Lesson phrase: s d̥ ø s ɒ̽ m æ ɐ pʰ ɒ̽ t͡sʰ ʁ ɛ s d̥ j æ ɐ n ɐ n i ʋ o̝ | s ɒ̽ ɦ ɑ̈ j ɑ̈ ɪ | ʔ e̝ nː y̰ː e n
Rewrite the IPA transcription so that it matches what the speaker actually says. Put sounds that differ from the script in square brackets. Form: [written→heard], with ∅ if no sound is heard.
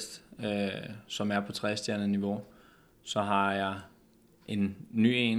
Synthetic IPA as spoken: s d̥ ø s ɒ̽ m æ ɐ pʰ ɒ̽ t͡sʰ ʁ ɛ s d̥ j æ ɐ n [ɐ→ə] n i ʋ o̝ | s ɒ̽ ɦ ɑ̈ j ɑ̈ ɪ | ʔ e̝ nː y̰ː e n